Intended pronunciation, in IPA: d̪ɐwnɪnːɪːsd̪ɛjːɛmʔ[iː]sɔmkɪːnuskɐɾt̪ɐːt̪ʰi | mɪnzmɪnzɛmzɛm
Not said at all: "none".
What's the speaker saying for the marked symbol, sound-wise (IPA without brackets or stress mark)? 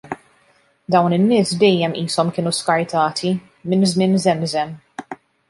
iː